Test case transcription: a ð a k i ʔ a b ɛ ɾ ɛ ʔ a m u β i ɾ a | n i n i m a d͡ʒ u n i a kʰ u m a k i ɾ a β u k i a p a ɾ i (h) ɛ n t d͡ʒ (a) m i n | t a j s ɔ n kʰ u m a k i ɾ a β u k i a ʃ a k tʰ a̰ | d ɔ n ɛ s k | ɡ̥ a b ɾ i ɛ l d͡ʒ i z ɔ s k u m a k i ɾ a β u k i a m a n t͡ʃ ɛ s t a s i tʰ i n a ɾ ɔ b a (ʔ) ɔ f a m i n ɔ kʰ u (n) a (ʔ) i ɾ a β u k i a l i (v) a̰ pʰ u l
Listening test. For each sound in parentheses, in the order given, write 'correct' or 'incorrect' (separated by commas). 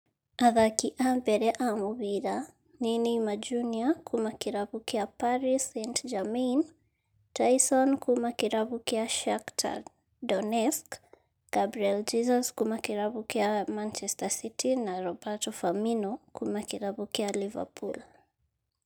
incorrect, correct, incorrect, incorrect, incorrect, correct